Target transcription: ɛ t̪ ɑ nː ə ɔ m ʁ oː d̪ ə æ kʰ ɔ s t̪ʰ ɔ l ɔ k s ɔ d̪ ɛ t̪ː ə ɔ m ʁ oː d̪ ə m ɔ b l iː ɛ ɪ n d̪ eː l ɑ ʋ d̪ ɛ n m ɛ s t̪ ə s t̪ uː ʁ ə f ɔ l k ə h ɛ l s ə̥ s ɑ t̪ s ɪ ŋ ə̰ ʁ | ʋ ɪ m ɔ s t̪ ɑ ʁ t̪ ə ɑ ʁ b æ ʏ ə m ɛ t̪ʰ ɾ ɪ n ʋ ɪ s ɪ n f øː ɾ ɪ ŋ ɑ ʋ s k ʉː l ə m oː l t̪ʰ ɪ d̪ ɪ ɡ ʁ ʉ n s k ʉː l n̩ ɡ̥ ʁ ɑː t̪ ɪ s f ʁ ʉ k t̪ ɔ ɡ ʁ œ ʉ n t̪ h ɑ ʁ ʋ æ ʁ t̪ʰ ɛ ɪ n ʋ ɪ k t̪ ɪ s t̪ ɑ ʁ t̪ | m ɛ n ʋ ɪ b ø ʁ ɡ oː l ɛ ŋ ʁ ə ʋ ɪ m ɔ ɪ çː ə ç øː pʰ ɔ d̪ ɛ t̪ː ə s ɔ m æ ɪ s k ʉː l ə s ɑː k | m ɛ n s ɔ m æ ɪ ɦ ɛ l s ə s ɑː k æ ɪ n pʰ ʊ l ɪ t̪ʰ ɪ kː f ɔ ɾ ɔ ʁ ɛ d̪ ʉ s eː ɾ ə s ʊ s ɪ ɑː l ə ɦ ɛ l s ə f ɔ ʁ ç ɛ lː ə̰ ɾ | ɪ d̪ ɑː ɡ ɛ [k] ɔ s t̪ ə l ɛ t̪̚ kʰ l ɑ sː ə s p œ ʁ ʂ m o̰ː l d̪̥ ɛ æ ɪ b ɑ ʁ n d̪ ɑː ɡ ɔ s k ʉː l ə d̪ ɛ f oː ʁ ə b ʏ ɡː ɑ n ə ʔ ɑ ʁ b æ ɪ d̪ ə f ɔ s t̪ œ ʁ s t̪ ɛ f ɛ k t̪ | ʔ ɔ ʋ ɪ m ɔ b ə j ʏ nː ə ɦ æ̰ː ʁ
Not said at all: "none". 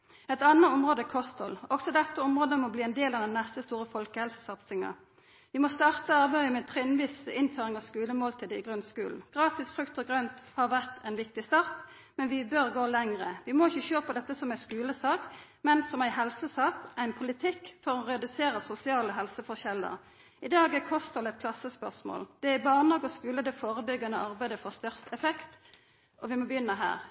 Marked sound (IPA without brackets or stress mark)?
kʰ